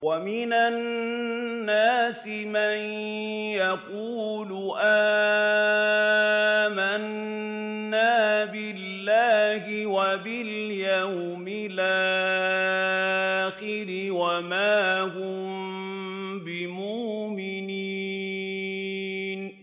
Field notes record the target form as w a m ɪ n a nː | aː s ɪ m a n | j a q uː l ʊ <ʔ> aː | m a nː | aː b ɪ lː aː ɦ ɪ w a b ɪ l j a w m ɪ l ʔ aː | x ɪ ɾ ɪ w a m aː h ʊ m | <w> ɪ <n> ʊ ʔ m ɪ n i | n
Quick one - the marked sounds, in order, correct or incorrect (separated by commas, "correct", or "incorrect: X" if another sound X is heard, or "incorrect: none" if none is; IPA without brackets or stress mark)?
correct, incorrect: b, incorrect: m